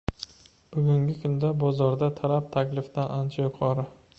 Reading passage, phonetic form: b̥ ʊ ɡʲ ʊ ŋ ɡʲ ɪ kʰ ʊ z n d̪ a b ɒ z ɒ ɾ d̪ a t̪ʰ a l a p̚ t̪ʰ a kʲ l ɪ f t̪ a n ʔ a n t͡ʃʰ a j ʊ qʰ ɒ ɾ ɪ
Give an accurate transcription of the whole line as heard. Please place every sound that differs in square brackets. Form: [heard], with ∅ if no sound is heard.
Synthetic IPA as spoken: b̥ ʊ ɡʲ ʊ ŋ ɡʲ ɪ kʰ ʊ [∅] n d̪ a b ɒ z ɒ ɾ d̪ a t̪ʰ a l a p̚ t̪ʰ a kʲ l ɪ f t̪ a n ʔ a n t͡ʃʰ a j ʊ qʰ ɒ ɾ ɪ